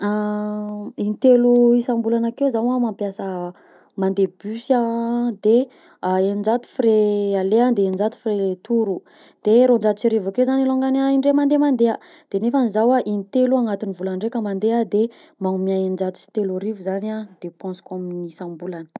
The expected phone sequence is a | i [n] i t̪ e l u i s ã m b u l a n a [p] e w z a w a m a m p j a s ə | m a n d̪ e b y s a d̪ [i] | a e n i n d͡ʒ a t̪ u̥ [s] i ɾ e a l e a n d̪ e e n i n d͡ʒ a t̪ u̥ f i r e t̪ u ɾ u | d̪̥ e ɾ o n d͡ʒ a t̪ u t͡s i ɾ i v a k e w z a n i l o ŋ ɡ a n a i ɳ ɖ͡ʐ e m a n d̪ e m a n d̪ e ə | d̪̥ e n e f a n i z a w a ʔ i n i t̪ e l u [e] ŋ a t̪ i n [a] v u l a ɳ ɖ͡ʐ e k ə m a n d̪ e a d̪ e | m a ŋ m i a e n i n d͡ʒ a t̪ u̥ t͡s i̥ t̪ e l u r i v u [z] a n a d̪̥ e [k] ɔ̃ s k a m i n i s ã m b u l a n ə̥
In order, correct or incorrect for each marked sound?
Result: correct, incorrect, incorrect, incorrect, incorrect, incorrect, correct, incorrect

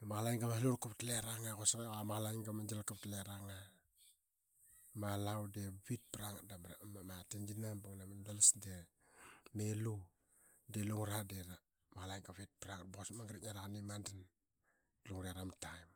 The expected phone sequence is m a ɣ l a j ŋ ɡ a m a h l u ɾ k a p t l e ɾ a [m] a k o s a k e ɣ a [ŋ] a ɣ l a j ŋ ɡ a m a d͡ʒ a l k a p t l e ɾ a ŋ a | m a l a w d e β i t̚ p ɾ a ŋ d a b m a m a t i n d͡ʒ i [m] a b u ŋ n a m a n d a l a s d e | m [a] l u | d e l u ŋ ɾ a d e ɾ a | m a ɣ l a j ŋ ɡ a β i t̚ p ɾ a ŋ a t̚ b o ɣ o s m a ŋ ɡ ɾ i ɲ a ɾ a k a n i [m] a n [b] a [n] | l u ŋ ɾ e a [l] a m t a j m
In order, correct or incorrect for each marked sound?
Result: incorrect, incorrect, incorrect, incorrect, correct, incorrect, correct, incorrect

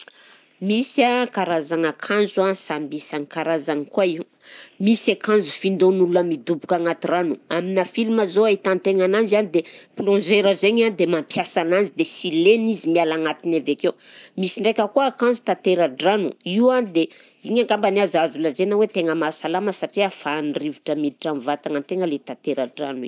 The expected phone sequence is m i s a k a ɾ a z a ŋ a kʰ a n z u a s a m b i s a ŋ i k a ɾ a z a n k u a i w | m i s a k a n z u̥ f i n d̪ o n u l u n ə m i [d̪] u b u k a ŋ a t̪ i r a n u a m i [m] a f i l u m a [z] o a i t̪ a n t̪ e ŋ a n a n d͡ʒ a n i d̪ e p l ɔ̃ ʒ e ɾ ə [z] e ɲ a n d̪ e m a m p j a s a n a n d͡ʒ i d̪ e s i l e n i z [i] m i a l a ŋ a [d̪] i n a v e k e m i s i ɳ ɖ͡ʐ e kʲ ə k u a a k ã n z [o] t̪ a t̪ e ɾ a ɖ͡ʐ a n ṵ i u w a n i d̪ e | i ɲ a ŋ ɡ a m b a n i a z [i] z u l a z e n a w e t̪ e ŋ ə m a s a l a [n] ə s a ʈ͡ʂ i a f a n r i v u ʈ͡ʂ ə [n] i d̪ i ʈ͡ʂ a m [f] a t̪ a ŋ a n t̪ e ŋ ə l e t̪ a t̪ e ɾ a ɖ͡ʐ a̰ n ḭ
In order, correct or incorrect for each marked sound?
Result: correct, incorrect, correct, correct, correct, incorrect, incorrect, incorrect, incorrect, incorrect, incorrect

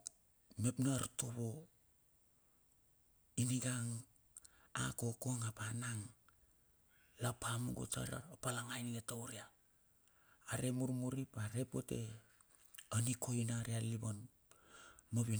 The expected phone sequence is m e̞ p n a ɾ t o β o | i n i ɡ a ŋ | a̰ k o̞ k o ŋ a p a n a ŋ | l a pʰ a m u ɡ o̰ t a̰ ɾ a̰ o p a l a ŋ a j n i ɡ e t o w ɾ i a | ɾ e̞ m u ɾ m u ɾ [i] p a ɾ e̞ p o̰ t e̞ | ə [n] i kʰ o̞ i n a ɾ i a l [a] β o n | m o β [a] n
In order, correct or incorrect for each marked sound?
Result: correct, correct, incorrect, incorrect

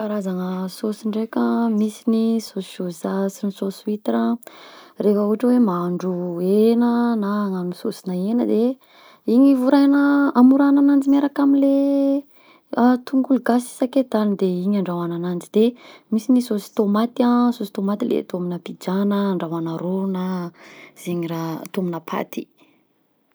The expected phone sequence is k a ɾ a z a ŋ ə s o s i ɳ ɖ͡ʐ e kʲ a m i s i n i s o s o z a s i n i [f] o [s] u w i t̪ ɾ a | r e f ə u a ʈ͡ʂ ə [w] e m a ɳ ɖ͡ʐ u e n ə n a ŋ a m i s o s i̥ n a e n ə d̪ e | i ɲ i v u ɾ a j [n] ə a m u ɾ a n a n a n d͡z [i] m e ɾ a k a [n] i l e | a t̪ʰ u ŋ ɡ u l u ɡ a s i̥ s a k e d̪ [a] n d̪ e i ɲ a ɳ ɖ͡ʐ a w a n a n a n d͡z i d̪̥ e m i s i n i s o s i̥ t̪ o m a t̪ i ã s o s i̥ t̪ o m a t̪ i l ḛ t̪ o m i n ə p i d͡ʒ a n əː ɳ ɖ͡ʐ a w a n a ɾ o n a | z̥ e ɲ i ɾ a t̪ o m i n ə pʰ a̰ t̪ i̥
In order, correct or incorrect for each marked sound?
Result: incorrect, correct, correct, correct, correct, incorrect, correct

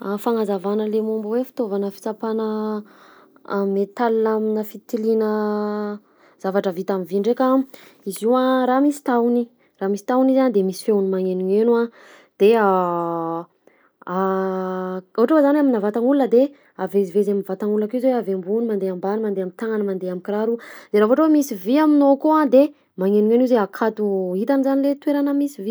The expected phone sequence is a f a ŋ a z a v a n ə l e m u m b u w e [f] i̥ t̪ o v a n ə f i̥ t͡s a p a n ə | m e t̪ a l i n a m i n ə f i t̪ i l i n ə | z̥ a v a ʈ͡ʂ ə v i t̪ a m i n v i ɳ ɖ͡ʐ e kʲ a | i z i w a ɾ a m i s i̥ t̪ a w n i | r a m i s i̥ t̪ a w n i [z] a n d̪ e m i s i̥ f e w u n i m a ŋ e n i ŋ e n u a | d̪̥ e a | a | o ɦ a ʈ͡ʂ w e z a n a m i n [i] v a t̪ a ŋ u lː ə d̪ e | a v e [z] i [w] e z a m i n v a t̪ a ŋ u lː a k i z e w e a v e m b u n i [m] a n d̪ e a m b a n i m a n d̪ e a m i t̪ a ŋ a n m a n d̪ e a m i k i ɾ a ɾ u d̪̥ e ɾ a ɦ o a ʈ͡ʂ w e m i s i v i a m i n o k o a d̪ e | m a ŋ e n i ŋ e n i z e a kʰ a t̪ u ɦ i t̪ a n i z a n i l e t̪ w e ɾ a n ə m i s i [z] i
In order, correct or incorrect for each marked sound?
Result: correct, correct, incorrect, correct, incorrect, correct, incorrect

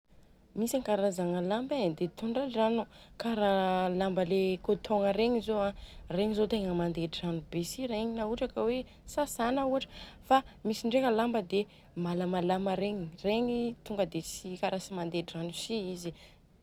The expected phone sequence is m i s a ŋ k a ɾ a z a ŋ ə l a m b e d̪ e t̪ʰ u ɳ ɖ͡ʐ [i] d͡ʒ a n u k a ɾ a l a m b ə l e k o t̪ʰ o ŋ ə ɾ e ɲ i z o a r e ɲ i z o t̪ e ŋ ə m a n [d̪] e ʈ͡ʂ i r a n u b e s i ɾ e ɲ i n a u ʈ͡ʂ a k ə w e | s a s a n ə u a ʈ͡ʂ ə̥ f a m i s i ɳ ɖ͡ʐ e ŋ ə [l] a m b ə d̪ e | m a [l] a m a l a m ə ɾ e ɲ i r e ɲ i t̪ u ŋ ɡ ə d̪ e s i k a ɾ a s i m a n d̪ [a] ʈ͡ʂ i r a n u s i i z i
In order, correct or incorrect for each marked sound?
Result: incorrect, correct, correct, correct, incorrect

